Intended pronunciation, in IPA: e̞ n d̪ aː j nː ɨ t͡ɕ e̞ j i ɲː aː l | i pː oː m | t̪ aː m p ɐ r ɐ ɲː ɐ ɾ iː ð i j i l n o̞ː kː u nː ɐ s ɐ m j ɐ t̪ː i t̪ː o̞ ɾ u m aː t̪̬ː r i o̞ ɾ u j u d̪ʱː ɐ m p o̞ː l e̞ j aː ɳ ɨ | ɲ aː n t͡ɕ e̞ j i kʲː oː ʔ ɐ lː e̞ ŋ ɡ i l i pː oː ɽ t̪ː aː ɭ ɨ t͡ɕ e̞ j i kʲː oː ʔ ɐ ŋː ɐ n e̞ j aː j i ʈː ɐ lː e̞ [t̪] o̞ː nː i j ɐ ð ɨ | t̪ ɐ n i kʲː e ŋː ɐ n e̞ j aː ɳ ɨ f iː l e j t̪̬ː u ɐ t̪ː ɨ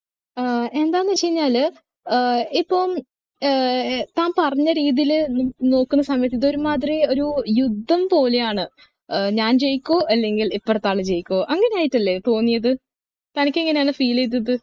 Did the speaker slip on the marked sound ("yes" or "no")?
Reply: no